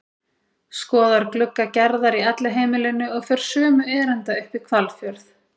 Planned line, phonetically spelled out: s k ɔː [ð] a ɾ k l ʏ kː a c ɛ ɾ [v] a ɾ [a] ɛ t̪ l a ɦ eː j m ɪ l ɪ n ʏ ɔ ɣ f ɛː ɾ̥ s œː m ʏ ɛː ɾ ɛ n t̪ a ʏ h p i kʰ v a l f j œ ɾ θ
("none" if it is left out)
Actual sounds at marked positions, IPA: ð, ð, i

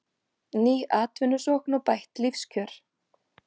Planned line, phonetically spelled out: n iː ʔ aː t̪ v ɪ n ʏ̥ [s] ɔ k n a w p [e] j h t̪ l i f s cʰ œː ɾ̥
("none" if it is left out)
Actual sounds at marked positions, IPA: s, a

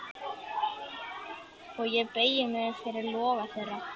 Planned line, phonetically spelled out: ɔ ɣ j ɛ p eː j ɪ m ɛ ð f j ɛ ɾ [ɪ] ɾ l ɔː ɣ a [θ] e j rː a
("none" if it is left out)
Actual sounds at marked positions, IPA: ɪ, θ

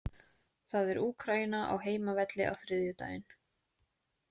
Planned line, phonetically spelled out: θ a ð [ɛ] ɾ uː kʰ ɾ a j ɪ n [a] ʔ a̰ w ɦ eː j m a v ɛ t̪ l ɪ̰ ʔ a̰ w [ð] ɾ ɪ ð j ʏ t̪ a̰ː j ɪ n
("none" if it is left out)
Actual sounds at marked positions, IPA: ɛ, a, θ

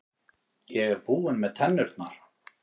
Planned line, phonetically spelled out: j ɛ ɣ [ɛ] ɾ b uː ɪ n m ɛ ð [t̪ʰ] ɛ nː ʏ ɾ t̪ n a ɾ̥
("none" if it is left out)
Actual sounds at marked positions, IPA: ɛ, t̪ʰ

